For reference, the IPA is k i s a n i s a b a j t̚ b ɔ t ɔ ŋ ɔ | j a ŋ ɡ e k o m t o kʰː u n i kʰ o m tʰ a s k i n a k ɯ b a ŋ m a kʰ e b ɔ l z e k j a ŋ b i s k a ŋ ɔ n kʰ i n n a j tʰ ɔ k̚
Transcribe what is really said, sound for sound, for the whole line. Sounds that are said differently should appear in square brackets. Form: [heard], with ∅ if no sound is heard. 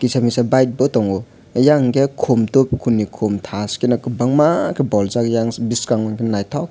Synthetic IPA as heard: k i s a [m] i s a b a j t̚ b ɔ t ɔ ŋ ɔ | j a ŋ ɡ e [kʰ] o m t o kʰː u n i kʰ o m tʰ a s k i n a k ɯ b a ŋ m a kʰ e b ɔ l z [a] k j a ŋ b i s k a ŋ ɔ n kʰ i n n a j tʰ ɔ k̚